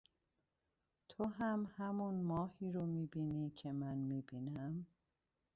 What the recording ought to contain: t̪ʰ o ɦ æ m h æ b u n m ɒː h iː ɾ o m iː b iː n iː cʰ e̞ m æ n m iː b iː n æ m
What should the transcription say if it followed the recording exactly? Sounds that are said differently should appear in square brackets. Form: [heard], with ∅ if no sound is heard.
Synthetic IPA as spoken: t̪ʰ o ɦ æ m h æ [m] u n m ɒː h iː ɾ o m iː b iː n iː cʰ e̞ m æ n m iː b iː n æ m